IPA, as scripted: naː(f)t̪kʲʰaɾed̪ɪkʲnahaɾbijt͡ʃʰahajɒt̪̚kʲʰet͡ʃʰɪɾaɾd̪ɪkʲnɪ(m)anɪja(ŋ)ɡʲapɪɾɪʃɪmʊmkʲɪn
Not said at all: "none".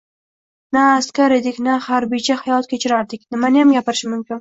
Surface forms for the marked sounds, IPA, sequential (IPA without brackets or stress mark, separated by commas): s, m, m